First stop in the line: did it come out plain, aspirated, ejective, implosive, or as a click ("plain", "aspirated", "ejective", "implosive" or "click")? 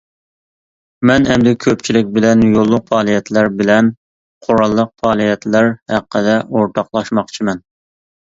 plain